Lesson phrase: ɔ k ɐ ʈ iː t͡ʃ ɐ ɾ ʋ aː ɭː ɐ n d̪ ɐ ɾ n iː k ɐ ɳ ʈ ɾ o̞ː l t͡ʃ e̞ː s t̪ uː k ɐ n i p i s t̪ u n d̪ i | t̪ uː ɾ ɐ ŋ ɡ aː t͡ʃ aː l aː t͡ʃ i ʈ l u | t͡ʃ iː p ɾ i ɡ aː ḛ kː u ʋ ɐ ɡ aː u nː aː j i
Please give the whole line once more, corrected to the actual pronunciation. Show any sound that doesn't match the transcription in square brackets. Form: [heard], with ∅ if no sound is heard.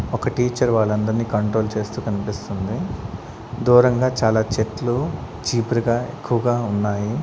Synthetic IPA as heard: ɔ k ɐ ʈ iː t͡ʃ ɐ ɾ ʋ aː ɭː ɐ n d̪ ɐ ɾ n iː k ɐ ɳ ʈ ɾ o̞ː l t͡ʃ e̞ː s t̪ uː k ɐ n i p i s t̪ u n d̪ i | [d̪] uː ɾ ɐ ŋ ɡ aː t͡ʃ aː l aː t͡ʃ [e] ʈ l u | t͡ʃ iː p ɾ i ɡ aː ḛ kː u ʋ ɐ ɡ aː u nː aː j i